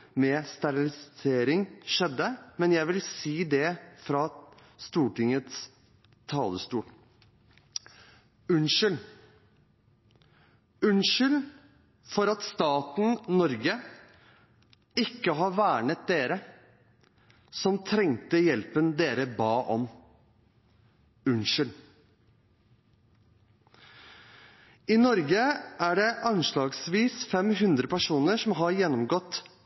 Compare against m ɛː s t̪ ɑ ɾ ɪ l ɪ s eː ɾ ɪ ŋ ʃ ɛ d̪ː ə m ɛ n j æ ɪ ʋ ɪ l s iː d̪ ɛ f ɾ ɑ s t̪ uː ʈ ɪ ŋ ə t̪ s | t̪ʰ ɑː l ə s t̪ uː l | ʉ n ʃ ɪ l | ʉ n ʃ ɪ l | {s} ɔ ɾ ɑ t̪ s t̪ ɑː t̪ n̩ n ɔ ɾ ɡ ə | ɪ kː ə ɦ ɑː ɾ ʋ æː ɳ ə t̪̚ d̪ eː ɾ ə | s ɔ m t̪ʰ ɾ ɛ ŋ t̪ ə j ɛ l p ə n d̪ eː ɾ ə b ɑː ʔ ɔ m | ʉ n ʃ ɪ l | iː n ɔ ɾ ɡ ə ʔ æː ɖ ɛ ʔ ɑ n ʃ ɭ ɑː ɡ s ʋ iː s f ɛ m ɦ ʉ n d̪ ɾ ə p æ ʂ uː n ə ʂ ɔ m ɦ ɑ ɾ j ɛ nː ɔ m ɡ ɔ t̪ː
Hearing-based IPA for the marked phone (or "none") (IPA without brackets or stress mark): f